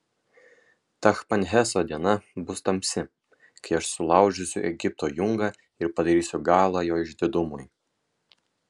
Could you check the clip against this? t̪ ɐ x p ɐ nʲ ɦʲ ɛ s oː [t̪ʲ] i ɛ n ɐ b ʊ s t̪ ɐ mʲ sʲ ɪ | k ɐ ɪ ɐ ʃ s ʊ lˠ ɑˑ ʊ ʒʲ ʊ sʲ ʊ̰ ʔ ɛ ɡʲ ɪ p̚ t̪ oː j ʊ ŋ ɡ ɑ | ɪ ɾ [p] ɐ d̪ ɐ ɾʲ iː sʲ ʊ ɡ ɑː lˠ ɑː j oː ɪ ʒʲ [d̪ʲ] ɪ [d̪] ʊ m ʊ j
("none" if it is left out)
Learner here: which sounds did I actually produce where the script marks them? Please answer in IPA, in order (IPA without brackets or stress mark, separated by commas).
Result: d̪ʲ, p, d̪ʲ, d̪